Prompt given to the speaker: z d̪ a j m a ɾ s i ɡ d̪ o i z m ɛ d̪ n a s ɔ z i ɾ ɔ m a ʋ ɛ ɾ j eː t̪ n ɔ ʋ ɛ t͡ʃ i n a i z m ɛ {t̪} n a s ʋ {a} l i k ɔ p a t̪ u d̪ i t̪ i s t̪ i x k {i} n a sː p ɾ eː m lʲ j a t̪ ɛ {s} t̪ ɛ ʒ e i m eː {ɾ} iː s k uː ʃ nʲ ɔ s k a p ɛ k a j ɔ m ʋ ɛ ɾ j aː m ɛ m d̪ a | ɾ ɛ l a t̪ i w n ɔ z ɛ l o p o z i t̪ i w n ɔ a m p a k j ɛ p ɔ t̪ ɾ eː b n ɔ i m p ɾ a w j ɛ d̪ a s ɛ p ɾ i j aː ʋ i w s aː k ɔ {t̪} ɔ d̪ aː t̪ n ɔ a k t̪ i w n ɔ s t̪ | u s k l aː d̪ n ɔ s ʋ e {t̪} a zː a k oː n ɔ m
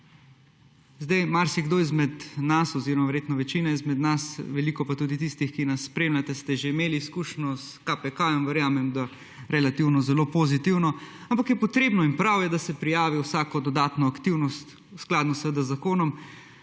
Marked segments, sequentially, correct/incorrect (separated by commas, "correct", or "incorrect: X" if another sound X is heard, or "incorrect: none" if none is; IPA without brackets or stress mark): incorrect: d̪, incorrect: ɛ, correct, correct, incorrect: l, incorrect: d̪, incorrect: d̪